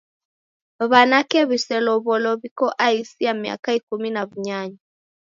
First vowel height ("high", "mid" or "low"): low